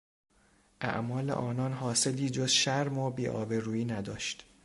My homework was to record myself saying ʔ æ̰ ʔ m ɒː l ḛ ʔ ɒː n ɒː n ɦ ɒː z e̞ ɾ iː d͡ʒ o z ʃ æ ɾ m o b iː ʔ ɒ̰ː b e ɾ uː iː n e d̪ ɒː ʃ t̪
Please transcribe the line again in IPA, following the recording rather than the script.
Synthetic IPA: ʔ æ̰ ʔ m ɒː l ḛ ʔ ɒː n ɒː n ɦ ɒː s e̞ l iː d͡ʒ o z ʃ æ ɾ m o b iː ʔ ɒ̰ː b e ɾ uː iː n æ d̪ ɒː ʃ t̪